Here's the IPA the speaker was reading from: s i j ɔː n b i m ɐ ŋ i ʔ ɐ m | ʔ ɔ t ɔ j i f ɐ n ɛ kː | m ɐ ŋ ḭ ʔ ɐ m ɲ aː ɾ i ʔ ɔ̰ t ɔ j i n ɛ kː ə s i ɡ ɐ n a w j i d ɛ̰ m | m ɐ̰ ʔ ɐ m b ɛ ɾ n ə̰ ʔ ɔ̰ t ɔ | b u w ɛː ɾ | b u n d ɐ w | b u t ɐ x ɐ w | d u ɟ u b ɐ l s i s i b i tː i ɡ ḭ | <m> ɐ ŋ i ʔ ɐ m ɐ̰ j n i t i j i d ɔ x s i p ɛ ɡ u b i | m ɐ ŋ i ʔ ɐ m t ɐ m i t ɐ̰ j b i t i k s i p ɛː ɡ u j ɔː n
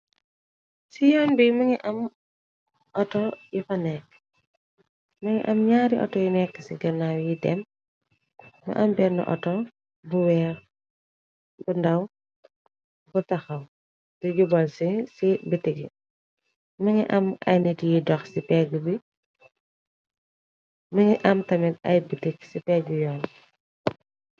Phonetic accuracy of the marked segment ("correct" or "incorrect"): correct